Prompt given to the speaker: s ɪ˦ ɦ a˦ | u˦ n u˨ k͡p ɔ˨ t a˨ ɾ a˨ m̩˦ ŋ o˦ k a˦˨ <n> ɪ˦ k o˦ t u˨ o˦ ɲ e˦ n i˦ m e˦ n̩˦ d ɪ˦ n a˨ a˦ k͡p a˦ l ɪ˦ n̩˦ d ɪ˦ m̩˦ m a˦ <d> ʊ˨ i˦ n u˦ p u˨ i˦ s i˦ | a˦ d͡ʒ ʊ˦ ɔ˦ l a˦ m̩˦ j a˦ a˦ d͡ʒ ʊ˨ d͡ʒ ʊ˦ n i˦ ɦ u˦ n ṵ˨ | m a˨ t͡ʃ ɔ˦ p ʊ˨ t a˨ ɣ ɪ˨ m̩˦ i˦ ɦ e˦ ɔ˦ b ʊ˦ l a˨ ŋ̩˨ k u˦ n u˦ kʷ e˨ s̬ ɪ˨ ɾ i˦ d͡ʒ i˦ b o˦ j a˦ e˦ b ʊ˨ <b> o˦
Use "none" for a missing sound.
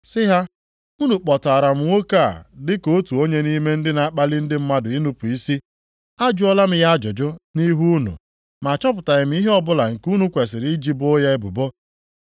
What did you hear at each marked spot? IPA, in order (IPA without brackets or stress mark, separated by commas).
d, d, b